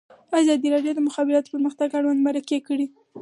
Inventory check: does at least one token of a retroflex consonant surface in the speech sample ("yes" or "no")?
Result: yes